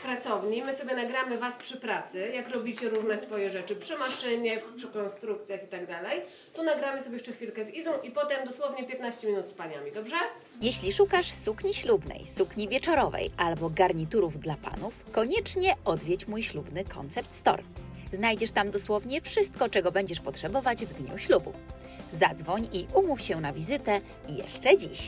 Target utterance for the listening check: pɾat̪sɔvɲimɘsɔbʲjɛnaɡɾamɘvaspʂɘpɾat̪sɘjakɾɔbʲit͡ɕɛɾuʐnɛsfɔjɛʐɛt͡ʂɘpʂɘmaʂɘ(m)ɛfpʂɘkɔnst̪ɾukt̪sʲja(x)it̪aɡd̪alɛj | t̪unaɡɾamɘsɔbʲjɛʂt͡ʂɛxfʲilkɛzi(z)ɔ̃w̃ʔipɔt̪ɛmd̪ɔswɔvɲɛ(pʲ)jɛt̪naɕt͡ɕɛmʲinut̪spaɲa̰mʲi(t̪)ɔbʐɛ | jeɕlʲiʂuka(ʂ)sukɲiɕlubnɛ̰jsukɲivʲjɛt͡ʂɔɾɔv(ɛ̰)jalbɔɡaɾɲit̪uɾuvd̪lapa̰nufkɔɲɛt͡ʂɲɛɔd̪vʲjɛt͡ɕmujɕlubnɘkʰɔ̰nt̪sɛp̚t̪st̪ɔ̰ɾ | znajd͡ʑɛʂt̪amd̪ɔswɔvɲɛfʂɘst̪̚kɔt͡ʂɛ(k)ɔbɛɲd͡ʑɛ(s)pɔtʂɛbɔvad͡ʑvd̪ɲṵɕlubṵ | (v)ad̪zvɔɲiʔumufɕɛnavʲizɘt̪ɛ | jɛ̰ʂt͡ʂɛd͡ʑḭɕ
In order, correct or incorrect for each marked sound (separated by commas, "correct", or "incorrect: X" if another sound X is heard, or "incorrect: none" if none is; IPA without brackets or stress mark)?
incorrect: ɲ, correct, correct, correct, incorrect: d̪, correct, correct, incorrect: ɡ, incorrect: ʂ, incorrect: z